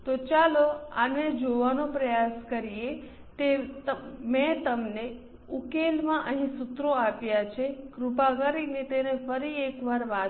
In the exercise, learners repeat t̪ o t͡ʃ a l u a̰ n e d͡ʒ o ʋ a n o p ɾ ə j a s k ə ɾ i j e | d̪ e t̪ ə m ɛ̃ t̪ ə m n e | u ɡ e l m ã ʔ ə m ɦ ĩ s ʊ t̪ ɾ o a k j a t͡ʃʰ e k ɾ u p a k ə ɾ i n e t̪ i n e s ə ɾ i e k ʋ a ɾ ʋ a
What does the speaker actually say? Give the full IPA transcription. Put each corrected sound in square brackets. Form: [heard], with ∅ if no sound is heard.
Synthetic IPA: t̪ o t͡ʃ a l [o] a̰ n e d͡ʒ o ʋ a n o p ɾ ə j a s k ə ɾ i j e | [t̪] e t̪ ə m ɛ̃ t̪ ə m n e | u [k] e l m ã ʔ ə [∅] ɦ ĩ s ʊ t̪ ɾ o a [p] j a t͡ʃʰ e k ɾ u p a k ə ɾ i n e t̪ [e] n e [f] ə ɾ i e k ʋ a ɾ ʋ a

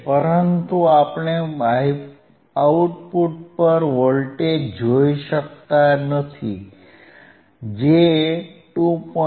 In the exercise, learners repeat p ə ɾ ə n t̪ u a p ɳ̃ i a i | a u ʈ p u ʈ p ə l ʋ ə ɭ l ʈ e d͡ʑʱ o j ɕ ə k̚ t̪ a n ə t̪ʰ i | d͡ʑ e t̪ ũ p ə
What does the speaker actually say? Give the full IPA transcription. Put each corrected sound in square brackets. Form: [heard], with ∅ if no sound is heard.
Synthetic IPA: p ə ɾ ə n t̪ u a p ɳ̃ [e] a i | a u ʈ p u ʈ p ə [ɾ] ʋ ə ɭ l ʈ e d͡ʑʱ o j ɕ ə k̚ t̪ a n ə t̪ʰ i | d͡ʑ e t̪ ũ p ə

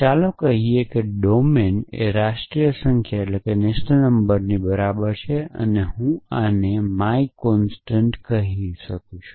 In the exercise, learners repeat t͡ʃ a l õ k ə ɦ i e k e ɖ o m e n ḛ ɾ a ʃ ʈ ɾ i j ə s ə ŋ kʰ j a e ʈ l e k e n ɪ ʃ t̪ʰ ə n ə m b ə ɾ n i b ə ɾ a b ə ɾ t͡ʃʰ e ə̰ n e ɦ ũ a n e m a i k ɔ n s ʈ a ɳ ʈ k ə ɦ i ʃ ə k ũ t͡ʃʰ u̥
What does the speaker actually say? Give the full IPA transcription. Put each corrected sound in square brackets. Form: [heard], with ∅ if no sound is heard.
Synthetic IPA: t͡ʃ a l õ k ə ɦ i e k e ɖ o m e n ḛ ɾ a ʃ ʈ ɾ i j ə s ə ŋ kʰ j a e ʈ l e k e n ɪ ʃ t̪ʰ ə n ə m b ə ɾ n i b ə ɾ a b ə ɾ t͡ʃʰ e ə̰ n e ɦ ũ a n e m a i k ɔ n s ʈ [ə] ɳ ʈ k ə ɦ i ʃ ə k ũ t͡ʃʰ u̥

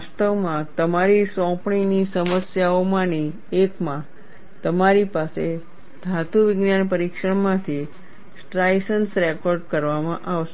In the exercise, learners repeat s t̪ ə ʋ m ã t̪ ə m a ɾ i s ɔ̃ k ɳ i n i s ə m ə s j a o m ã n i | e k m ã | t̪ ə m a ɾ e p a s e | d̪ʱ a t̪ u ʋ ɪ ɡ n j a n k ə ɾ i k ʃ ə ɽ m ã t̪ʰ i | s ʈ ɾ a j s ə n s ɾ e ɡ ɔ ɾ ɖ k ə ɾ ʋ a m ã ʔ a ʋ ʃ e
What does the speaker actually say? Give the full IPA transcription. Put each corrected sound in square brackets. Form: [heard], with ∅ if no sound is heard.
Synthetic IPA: s t̪ ə ʋ m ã t̪ ə m a ɾ i s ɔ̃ [p] ɳ i n i s ə m ə s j a o m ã n i | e k m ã | t̪ ə m a ɾ [i] p a s e | d̪ʱ a t̪ u ʋ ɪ ɡ n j a n [p] ə ɾ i k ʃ ə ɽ m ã t̪ʰ i | s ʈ ɾ a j s ə n s ɾ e [k] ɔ ɾ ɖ k ə ɾ ʋ a m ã ʔ a ʋ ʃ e

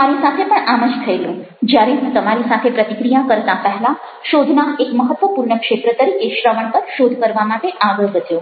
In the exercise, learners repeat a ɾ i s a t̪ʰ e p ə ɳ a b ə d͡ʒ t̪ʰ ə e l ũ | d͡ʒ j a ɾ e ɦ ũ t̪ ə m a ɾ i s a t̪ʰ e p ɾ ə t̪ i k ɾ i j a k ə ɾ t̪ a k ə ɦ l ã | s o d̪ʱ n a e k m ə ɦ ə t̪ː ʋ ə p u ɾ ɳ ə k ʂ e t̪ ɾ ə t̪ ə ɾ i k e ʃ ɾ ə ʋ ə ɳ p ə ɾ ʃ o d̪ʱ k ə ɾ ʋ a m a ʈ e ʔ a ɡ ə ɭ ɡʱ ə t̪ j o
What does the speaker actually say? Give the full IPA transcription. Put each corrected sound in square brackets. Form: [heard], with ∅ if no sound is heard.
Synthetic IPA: a ɾ i s a t̪ʰ e p ə ɳ a [m] ə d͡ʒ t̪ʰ ə e l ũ | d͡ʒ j a ɾ e ɦ ũ t̪ ə m a ɾ i s a t̪ʰ e p ɾ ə t̪ i k ɾ i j a k ə ɾ t̪ a [p] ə ɦ l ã | [ʃ] o d̪ʱ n a e k m ə ɦ ə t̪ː ʋ ə p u ɾ ɳ ə k ʂ e t̪ ɾ ə t̪ ə ɾ i k e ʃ ɾ ə ʋ ə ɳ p ə ɾ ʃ o d̪ʱ k ə ɾ ʋ a m a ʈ e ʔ a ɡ ə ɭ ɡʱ ə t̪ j o

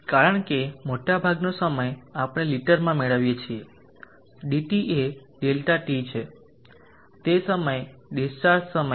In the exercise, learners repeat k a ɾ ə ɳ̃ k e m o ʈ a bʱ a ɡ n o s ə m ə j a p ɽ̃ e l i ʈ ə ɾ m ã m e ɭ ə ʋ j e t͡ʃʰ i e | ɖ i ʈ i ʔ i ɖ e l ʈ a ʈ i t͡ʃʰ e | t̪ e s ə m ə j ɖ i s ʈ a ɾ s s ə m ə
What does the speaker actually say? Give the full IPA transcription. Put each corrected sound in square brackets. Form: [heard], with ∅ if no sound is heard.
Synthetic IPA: k a ɾ ə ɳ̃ k e m o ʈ a bʱ a ɡ n o s ə m ə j a p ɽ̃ e l i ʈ ə ɾ m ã m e ɭ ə ʋ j e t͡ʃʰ i e | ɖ i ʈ i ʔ [e] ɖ e l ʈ a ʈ i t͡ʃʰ e | t̪ e s ə m ə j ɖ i s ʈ a ɾ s s ə m ə

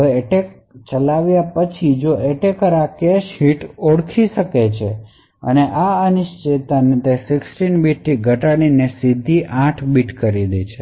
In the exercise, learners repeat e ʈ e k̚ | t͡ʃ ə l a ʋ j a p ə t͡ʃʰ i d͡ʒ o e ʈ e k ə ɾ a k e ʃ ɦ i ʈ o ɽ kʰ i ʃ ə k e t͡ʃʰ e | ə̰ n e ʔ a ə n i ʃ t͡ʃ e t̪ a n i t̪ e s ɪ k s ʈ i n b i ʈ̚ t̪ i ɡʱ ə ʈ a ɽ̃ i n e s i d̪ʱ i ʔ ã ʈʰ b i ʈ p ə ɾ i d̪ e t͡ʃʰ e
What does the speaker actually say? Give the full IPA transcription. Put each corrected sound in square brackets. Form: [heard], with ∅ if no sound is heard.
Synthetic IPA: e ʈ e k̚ | t͡ʃ ə l a ʋ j a p ə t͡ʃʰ i d͡ʒ o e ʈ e k ə ɾ a k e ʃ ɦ i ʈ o ɽ kʰ i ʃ ə k e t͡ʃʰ e | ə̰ n e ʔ a ə n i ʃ t͡ʃ e t̪ a n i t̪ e s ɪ k s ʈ i n b i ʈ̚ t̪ i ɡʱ ə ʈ a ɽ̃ i n e s i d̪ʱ i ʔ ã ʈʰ b i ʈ [k] ə ɾ i d̪ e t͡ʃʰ e

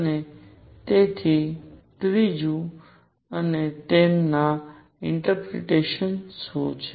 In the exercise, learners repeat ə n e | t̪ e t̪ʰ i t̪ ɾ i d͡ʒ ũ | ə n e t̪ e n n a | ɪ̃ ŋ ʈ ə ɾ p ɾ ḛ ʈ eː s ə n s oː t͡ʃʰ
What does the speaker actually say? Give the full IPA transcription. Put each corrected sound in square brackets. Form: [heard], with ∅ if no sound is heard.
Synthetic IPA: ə n e | t̪ e t̪ʰ i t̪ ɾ i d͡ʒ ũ | ə n e t̪ e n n a | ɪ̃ [ɳ] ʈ ə ɾ p ɾ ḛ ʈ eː [ʃ] ə n s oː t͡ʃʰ

